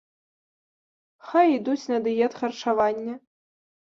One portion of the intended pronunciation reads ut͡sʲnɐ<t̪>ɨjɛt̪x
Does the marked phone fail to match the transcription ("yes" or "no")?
yes